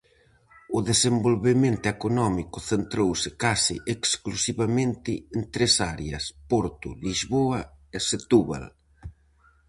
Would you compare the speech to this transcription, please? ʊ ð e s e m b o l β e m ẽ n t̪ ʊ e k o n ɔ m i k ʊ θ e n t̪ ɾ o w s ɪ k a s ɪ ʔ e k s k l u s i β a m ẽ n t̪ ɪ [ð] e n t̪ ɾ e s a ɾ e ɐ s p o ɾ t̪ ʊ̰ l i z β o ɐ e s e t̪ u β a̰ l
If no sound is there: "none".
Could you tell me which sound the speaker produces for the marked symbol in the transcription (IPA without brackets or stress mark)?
none